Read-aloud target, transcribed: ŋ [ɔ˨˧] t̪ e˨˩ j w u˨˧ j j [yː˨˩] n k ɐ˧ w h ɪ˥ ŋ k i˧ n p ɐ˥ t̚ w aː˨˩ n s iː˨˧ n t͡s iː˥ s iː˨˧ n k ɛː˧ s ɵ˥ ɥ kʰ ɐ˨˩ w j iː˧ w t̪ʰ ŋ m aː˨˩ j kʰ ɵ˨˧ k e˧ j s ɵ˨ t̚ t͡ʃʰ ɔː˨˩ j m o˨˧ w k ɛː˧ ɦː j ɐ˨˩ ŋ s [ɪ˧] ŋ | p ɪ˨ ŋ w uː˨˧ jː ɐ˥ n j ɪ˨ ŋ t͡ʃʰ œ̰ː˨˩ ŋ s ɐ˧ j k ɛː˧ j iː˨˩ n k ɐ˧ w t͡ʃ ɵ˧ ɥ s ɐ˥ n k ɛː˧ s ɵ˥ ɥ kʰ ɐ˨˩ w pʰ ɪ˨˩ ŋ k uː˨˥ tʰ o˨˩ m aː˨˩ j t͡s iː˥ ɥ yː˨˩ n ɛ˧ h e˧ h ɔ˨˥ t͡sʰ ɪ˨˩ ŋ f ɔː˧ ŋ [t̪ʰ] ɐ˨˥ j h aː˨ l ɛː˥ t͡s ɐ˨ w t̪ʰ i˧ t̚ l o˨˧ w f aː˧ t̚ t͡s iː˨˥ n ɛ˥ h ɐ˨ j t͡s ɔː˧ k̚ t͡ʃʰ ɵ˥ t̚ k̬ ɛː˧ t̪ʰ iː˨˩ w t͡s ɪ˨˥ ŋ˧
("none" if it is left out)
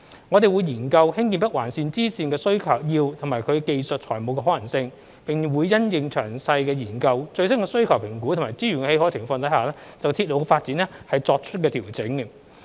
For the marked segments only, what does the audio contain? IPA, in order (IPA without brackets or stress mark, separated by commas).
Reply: ɔ˨˧, iː˨˩, ɪ˧, t̪